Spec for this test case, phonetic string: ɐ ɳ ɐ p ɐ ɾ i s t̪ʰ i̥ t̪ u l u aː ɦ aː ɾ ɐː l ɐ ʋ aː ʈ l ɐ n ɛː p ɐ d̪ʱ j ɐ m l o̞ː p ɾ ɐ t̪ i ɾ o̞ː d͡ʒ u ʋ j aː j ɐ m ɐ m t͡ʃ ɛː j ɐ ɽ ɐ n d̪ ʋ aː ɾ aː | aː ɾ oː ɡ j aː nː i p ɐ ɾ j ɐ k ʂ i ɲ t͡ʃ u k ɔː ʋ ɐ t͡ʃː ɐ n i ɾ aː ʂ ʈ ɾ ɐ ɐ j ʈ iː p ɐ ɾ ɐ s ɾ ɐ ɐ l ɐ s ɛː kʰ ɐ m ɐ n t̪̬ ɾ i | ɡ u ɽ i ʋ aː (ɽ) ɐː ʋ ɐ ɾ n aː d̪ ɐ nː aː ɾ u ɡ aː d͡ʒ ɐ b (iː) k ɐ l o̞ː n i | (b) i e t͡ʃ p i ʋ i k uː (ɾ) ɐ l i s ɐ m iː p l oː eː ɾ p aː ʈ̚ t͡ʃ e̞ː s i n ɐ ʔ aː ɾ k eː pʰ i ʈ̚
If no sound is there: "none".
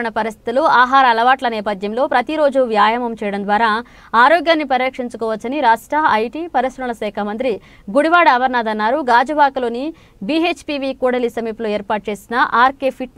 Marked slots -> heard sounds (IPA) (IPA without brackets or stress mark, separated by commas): ɽ, aː, b, ɽ